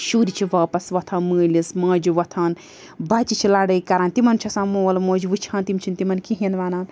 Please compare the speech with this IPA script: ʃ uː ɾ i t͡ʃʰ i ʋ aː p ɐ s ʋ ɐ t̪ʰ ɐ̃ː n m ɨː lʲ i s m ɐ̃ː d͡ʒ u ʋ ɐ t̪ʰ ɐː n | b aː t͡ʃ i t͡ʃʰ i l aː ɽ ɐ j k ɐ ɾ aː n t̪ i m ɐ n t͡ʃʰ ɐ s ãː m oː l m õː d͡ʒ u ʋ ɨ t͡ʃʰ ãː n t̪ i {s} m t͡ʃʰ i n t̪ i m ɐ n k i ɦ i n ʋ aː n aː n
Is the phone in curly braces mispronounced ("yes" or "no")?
yes